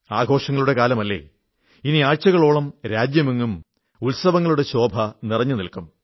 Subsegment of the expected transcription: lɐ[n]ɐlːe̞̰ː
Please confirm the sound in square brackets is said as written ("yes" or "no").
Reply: no